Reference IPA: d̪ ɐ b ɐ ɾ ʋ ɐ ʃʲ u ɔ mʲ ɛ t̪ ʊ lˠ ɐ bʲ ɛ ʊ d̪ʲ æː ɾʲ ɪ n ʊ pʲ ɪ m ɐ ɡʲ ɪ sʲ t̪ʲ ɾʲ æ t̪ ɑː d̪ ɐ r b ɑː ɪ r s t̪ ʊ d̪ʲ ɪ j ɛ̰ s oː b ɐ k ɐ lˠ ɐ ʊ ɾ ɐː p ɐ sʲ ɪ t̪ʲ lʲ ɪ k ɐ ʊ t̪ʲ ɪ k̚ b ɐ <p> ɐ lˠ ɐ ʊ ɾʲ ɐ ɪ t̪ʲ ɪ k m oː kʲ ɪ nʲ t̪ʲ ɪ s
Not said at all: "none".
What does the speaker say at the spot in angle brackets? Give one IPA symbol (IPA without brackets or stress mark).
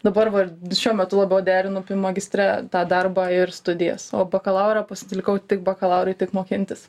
k